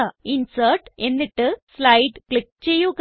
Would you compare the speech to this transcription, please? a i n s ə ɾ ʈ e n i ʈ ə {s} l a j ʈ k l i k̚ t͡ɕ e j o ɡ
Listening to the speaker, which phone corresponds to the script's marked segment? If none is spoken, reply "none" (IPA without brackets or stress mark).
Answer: s